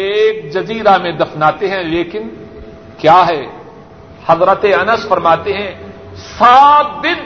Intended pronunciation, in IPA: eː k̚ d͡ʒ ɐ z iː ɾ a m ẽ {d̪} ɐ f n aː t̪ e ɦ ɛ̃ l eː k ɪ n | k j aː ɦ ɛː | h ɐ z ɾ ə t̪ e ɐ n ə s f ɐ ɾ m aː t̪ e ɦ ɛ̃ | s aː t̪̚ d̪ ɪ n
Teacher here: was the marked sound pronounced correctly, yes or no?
yes